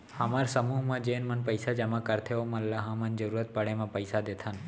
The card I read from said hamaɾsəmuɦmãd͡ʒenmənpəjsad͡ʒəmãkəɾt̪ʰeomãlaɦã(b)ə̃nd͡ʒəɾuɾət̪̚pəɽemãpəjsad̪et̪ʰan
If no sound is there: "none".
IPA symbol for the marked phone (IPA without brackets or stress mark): m